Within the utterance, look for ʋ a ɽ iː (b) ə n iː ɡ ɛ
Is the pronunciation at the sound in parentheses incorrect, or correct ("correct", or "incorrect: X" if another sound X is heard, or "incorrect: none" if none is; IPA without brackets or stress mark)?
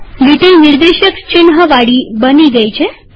correct